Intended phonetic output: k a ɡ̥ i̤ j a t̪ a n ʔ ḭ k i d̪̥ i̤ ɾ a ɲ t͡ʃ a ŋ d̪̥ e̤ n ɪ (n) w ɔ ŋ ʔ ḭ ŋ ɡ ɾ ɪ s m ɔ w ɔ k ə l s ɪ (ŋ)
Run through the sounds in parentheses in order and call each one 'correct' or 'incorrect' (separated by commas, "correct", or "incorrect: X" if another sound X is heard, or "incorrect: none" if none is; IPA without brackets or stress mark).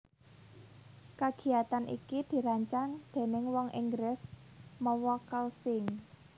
incorrect: ŋ, correct